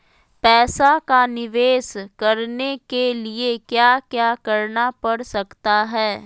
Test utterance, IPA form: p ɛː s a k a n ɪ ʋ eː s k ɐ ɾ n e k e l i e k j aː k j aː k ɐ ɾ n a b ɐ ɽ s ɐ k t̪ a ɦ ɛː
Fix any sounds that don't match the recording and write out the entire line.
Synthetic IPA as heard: p ɛː s a k a n ɪ ʋ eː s k ɐ ɾ n e k e l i e k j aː k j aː k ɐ ɾ n a p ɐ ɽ s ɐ k t̪ a ɦ ɛː